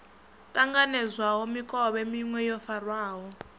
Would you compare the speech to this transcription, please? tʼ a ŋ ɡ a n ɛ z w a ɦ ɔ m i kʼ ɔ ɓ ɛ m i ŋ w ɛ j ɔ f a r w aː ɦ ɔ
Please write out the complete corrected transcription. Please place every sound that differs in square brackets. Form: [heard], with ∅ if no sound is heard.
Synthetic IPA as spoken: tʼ a ŋ ɡ a n ɛ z w a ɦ ɔ m i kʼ ɔ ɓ ɛ m i ŋ w ɛ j ɔ f a r w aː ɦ ɔ